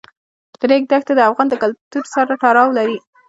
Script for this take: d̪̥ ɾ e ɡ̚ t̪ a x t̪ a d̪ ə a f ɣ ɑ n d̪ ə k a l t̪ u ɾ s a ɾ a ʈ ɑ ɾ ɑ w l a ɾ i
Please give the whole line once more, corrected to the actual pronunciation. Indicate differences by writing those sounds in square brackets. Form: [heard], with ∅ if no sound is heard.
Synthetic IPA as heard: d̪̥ ɾ e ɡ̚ [d̪] a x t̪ a d̪ ə a f ɣ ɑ n d̪ ə k a l t̪ u ɾ s a ɾ a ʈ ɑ ɾ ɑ w l a ɾ i

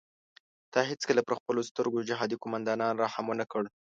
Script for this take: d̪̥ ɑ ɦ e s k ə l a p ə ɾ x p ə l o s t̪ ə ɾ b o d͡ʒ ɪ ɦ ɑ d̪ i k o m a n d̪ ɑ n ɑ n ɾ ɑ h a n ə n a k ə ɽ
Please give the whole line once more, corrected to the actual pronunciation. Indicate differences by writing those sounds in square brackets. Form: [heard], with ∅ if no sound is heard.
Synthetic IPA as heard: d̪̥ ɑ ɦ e [t͡s] k ə l a p ə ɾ x p ə l o s t̪ ə ɾ [ɡ] o d͡ʒ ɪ ɦ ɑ d̪ i k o m a n d̪ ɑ n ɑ n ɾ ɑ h a [m] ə n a k ə ɽ

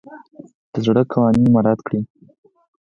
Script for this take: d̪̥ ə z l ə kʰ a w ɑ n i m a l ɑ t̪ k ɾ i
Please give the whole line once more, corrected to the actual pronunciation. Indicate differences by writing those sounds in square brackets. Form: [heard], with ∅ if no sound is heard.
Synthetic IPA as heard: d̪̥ ə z [ɽ] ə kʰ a w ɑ n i m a [ɾ] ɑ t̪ k [ɽ] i

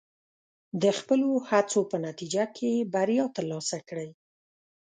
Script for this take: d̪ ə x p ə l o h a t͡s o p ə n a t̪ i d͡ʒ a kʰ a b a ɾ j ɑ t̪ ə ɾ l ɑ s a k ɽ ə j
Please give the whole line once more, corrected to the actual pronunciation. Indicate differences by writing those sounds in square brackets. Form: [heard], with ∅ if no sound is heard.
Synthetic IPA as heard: d̪ ə x p ə l o h a t͡s o p ə n a t̪ i d͡ʒ a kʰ [e] b a ɾ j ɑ t̪ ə ɾ l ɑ s a k ɽ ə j

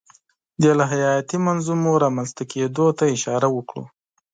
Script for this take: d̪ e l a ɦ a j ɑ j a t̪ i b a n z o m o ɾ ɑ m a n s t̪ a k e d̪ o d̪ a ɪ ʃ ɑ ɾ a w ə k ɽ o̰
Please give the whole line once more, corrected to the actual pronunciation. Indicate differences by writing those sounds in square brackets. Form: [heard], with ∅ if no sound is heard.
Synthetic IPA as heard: d̪ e l a ɦ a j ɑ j a t̪ i [m] a n z [u] m o ɾ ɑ m a n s t̪ a k e d̪ o [t̪] a ɪ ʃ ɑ ɾ a w ə k ɽ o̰

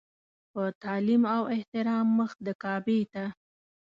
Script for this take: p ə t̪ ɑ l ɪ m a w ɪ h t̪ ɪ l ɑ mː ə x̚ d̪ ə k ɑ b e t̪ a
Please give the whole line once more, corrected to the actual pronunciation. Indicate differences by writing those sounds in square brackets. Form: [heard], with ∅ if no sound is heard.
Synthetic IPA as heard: p ə t̪ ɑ l [i] m a w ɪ h t̪ ɪ [ɾ] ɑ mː ə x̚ d̪ ə k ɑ b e t̪ a

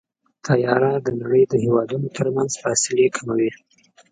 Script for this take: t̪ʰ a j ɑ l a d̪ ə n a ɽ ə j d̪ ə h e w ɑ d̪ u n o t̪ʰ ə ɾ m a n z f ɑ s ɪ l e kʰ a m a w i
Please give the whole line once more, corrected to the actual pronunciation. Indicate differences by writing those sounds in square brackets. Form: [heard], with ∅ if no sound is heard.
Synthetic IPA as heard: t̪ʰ a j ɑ [ɾ] a d̪ ə n a ɽ ə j d̪ ə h e w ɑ d̪ u n o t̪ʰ ə ɾ m a n z f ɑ s ɪ l e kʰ a m a w i

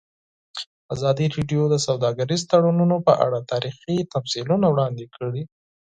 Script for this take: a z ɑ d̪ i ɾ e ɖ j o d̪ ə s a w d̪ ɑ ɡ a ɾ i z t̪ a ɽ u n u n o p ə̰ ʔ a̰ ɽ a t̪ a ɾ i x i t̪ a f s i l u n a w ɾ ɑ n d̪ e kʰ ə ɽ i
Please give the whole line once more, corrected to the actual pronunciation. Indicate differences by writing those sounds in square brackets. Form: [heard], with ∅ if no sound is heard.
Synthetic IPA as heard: a z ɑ d̪ i ɾ e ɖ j o d̪ ə s a w d̪ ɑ ɡ a ɾ i z t̪ a ɽ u n u n o p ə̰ ʔ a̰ ɽ a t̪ [ɑ] ɾ i x i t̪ a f s i l u n a w [ɽ] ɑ n d̪ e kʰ ə ɽ i

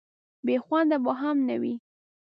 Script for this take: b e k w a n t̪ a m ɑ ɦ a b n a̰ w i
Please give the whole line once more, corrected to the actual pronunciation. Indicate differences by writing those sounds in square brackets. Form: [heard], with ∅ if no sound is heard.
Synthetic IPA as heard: b e [x] w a n [d̪] a [b] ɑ ɦ a [m] n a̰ w i

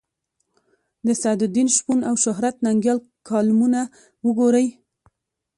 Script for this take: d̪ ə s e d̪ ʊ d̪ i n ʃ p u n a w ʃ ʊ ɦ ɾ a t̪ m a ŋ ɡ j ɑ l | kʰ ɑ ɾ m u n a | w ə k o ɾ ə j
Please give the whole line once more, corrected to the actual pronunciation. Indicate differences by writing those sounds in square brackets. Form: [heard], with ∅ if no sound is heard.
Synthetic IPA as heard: d̪ ə s [a] d̪ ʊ d̪ i n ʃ p u n a w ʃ ʊ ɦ ɾ a t̪ [n] a ŋ ɡ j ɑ l | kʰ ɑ [l] m u n a | w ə [ɡ] o ɾ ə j

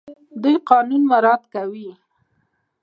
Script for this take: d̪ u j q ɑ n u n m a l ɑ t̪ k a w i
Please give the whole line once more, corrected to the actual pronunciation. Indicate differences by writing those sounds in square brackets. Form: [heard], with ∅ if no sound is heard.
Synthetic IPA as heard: d̪ u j q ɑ n u n m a [ɾ] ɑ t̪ k a w i

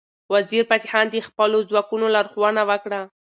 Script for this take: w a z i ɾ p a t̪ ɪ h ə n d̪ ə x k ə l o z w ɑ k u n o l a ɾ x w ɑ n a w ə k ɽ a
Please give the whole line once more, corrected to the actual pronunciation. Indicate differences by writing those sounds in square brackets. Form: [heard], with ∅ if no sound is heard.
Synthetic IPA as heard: w a z i ɾ p a t̪ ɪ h [ɑ] n d̪ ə x [p] ə l o z w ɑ k u n o l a ɾ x w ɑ n a w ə k ɽ a

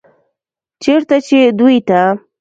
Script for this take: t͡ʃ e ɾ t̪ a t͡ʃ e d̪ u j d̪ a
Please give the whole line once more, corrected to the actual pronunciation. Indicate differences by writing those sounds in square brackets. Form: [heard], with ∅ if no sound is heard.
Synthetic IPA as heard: t͡ʃ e ɾ t̪ a t͡ʃ e d̪ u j [t̪] a

